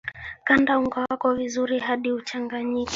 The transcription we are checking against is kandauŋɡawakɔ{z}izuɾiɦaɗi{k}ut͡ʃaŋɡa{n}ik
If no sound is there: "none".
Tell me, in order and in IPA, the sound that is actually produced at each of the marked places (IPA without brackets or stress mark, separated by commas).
v, none, ɲ